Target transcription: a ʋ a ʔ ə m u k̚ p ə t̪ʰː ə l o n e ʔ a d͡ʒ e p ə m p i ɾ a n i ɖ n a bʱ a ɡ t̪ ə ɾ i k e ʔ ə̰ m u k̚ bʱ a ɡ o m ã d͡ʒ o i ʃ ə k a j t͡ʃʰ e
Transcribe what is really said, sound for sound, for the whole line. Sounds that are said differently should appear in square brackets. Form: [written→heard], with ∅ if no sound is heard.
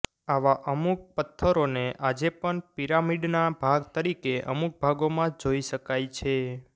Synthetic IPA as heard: a ʋ a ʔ ə m u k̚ p ə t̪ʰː ə [l→ɾ] o n e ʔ a d͡ʒ e p ə [m→ɳ] p i ɾ a [n→m] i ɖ n a bʱ a ɡ t̪ ə ɾ i k e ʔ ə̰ m u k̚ bʱ a ɡ o m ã d͡ʒ o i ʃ ə k a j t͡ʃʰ e